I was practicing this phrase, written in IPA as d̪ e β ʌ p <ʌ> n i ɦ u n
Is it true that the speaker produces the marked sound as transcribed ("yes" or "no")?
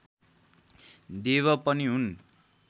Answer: yes